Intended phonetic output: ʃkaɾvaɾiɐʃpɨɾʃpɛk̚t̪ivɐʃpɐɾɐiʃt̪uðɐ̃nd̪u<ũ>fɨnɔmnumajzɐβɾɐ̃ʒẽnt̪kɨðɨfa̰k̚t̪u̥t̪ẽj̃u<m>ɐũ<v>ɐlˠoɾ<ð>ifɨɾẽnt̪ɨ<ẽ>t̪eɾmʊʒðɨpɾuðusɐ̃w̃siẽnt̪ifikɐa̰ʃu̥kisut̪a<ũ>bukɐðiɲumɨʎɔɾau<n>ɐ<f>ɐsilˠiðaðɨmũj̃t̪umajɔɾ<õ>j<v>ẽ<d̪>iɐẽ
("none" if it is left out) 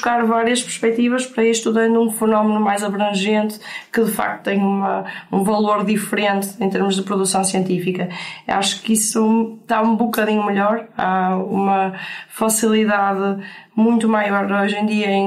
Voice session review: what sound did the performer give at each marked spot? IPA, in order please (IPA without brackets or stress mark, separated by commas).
ũ, m, v, ð, ẽ, ũ, m, f, o, ʒ, d̪